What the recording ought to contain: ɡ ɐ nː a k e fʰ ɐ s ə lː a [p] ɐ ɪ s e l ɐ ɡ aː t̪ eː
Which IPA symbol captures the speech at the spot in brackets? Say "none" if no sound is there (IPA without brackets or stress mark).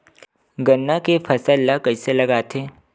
k